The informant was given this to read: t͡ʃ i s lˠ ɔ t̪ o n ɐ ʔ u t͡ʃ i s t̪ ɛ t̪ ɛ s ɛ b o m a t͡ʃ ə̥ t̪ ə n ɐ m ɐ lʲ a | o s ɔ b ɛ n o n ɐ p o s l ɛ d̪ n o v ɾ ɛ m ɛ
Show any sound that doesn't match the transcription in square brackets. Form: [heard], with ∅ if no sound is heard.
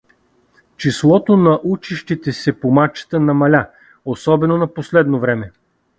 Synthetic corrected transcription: t͡ʃ i s lˠ ɔ t̪ o n ɐ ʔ u t͡ʃ i [ʃ] t̪ [i] t̪ ɛ s ɛ [p] o m a t͡ʃ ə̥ t̪ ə n ɐ m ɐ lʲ a | o s ɔ b ɛ n o n ɐ p o s l ɛ d̪ n o v ɾ ɛ m ɛ